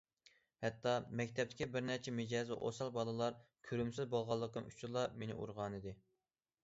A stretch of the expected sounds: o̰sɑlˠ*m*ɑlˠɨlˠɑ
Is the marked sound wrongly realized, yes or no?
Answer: yes